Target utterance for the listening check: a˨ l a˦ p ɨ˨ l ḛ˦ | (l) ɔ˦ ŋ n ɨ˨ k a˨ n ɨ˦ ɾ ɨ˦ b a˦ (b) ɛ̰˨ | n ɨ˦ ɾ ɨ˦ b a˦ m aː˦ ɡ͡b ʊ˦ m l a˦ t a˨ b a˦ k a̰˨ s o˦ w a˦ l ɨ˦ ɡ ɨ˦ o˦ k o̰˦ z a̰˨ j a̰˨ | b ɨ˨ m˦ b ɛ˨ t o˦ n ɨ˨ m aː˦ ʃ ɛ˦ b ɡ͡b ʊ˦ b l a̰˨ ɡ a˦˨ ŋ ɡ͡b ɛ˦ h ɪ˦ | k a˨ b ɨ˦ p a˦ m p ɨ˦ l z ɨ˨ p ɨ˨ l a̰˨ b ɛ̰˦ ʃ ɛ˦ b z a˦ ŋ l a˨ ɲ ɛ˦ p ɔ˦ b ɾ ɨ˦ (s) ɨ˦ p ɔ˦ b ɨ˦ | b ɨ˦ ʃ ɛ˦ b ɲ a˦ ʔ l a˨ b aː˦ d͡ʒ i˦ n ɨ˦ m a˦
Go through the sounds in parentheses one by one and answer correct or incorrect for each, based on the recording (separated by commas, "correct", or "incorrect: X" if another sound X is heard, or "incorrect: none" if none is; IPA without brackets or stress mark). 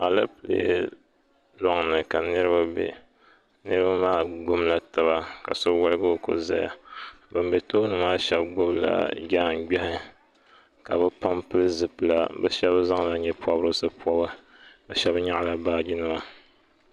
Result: correct, correct, correct